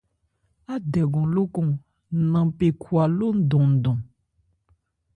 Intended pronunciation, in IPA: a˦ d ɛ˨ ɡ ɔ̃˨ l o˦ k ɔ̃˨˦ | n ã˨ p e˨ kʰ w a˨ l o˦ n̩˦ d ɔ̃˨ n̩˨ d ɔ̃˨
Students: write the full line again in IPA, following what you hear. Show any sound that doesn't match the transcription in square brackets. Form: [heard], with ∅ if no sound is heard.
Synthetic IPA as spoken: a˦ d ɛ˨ ɡ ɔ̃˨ l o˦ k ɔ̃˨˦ | n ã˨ p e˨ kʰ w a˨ l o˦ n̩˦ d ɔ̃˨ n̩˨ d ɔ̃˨